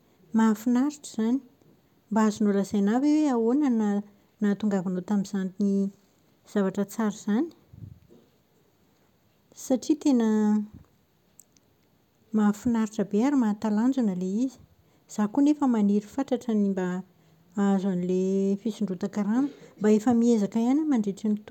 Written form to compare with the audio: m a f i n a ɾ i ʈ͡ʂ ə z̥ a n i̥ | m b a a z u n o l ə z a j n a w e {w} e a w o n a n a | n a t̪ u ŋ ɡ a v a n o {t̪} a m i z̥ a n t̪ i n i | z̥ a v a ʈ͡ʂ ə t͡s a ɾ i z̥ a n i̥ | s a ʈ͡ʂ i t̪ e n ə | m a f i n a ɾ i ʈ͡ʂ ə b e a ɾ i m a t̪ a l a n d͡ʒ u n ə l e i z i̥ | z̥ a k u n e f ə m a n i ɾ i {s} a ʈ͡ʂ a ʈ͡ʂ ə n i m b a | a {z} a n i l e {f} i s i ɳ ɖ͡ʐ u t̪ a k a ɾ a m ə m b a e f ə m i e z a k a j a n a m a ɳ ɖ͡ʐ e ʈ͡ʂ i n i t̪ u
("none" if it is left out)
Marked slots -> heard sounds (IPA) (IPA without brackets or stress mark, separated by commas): w, t̪, f, z, f